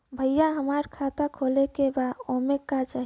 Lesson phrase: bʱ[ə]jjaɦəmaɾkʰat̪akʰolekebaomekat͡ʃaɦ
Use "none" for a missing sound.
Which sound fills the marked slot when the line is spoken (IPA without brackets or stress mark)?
ə